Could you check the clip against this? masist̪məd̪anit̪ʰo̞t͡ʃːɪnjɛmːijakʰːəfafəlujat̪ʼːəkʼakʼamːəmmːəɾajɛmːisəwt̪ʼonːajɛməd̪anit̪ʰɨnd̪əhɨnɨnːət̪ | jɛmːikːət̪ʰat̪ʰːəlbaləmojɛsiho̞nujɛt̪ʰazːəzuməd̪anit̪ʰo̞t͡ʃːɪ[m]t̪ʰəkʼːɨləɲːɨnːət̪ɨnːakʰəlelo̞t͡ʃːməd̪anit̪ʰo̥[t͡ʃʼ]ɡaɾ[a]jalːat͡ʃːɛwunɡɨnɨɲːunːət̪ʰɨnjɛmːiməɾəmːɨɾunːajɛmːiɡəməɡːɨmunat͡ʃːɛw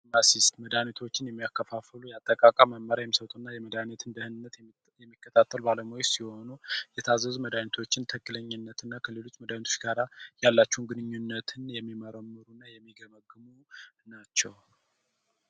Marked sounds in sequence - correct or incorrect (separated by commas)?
incorrect, incorrect, correct